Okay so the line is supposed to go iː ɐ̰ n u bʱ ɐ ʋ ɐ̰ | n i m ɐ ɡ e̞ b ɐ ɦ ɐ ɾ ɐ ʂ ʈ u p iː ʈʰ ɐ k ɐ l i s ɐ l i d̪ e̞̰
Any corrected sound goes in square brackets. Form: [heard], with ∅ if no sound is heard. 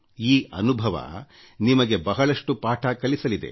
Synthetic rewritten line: iː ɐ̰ n u bʱ ɐ ʋ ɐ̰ | n i m ɐ ɡ e̞ b ɐ ɦ ɐ [ɭ] ɐ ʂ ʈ u p [aː] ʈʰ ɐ k ɐ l i s ɐ l i d̪ e̞̰